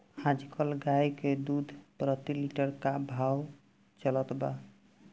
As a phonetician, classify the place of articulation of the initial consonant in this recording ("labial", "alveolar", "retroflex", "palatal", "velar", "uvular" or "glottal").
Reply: glottal